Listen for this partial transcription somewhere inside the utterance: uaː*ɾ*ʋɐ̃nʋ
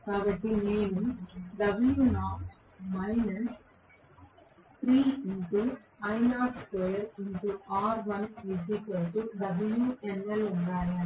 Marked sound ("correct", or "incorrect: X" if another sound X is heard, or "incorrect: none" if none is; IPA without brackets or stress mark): correct